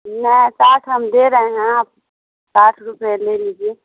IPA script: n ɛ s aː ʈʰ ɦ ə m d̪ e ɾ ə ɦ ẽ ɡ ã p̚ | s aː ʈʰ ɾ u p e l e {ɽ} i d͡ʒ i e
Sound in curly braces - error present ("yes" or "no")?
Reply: yes